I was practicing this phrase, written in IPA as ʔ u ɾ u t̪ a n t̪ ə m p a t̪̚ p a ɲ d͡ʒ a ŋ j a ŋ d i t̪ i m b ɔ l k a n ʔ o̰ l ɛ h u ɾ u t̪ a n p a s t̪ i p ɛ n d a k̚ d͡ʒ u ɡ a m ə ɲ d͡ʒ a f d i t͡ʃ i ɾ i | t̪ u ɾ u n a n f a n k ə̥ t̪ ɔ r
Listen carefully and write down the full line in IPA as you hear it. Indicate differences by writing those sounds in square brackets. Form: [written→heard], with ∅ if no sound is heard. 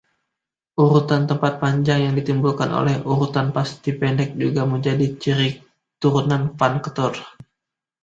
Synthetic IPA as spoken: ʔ u ɾ u t̪ a n t̪ ə m p a t̪̚ p a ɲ d͡ʒ a ŋ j a ŋ d i t̪ i m b [ɔ→u] l k a n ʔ o̰ l ɛ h u ɾ u t̪ a n p a s t̪ i p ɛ n d [a→ɛ] k̚ d͡ʒ u ɡ a m ə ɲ d͡ʒ a [f→∅] d i t͡ʃ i ɾ i | t̪ u ɾ u n a n f a n k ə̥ t̪ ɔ r